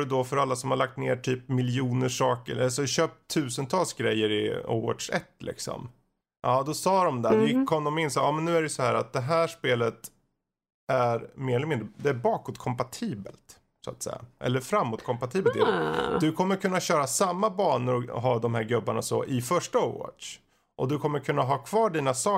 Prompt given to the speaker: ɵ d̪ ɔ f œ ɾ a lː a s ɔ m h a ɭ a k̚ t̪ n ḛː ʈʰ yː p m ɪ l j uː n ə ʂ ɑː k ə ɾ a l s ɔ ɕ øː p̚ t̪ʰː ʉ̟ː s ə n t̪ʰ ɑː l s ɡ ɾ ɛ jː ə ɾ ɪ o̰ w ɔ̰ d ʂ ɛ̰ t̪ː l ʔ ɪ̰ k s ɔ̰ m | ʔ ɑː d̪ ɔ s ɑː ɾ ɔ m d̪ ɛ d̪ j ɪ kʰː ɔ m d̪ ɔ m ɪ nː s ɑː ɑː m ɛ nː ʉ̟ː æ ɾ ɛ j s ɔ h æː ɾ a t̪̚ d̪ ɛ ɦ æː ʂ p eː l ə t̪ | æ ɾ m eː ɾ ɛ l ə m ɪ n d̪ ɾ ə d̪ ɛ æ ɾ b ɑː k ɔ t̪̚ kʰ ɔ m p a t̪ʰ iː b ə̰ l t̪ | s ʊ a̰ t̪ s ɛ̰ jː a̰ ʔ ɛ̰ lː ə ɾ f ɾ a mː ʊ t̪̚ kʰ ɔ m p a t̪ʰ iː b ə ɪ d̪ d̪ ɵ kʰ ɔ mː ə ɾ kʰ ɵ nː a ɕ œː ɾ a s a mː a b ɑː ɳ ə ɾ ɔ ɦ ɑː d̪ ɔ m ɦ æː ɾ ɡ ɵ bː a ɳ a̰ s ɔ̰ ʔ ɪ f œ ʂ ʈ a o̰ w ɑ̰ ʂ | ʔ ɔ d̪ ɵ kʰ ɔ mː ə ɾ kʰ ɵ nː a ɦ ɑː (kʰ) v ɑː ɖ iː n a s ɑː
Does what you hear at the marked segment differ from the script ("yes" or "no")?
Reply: no